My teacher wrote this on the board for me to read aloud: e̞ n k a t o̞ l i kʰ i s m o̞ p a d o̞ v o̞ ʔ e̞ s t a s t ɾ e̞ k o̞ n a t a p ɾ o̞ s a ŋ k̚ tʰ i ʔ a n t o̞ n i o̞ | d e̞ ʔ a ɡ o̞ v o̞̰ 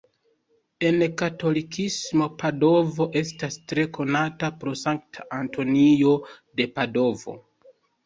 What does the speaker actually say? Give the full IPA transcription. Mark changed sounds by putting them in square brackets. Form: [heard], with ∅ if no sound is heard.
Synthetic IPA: e̞ n k a t o̞ l i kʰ i s m o̞ p a d o̞ v o̞ ʔ e̞ s t a s t ɾ e̞ k o̞ n a t a p ɾ o̞ s a ŋ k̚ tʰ [a] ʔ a n t o̞ n i o̞ | d e̞ [p] a [d] o̞ v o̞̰